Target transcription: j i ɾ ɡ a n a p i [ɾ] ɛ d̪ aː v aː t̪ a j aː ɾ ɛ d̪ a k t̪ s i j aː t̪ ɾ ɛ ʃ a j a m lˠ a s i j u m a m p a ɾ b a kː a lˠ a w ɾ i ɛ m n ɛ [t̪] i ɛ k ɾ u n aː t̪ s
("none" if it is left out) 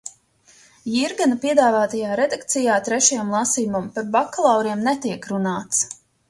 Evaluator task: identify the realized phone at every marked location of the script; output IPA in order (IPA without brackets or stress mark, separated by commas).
none, t̪